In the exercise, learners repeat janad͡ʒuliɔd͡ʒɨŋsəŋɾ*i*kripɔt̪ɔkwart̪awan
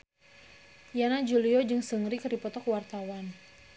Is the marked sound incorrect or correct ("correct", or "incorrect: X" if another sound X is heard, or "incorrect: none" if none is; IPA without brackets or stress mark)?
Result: correct